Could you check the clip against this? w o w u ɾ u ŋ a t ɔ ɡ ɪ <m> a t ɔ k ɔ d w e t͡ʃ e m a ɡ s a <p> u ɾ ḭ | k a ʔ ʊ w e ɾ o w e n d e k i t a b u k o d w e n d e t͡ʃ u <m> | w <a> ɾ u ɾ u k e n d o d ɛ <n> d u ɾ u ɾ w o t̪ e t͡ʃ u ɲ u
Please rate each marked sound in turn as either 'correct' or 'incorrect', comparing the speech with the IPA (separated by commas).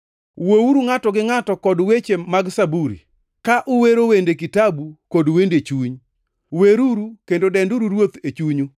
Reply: incorrect, incorrect, incorrect, incorrect, correct